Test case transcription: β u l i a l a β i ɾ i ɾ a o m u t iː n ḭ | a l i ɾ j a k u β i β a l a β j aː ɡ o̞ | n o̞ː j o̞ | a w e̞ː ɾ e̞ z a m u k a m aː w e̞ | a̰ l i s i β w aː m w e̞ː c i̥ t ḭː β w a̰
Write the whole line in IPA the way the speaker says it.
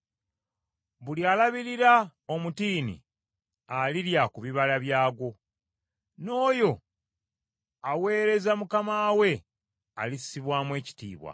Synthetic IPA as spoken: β u l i a l a β i ɾ i ɾ a o m u t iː n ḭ | a l i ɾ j a k u β i β a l a β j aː ɡ o̞ | n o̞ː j o̞ | a w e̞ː ɾ e̞ z a m u k a m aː w e̞ | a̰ l i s i β w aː m w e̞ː c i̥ t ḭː β w a̰